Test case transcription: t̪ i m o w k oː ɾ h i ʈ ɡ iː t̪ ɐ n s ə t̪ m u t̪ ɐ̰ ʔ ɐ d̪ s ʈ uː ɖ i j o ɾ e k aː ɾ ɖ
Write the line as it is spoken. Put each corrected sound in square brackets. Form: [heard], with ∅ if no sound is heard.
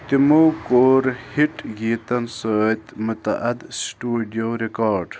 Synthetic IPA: t̪ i m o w k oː ɾ h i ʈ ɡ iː t̪ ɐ n s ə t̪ m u t̪ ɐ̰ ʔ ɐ d̪ s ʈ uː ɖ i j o ɾ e k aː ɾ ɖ